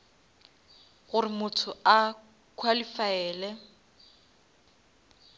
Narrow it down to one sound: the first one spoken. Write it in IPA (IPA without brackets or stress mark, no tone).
ɣ